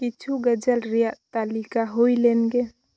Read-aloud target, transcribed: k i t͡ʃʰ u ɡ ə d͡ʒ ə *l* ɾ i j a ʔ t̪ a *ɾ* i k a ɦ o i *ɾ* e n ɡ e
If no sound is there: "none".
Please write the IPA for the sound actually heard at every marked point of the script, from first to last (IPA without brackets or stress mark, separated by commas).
l, l, l